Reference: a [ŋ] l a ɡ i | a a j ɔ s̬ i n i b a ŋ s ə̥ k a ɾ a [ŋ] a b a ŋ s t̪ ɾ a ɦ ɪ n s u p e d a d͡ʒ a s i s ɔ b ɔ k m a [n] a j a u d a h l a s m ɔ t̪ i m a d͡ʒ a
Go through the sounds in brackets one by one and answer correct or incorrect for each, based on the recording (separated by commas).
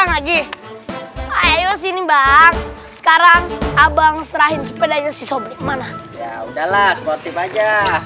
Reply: correct, correct, correct